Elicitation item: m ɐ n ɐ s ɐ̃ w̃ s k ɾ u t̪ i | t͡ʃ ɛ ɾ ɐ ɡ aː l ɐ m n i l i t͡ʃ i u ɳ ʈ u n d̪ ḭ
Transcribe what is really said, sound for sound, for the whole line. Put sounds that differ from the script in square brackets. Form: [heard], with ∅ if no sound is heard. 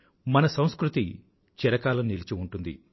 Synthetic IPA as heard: m ɐ n ɐ s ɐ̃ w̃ s k ɾ u t̪ i | t͡ʃ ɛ ɾ ɐ [k] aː l ɐ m n i l i t͡ʃ i u ɳ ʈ u n d̪ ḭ